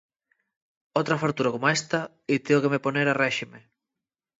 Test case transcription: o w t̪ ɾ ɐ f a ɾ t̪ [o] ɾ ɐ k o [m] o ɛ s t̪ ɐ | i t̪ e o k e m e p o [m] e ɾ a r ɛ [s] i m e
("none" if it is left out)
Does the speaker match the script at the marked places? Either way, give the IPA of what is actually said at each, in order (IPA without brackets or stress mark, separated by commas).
u, m, n, ʃ